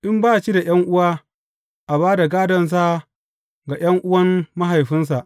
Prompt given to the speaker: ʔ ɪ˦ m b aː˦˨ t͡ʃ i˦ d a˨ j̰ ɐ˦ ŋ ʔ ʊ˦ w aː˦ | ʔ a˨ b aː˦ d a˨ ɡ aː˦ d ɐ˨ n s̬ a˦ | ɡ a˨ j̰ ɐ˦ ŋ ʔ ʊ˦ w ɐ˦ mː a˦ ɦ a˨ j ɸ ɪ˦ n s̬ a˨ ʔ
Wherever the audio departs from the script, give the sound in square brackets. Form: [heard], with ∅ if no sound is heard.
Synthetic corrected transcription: ʔ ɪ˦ m b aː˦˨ t͡ʃ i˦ d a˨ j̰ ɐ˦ ŋ ʔ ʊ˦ w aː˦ | ʔ a˨ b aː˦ d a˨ ɡ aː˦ d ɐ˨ n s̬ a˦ | ɡ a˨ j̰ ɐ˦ ŋ ʔ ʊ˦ w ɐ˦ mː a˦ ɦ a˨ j ɸ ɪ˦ n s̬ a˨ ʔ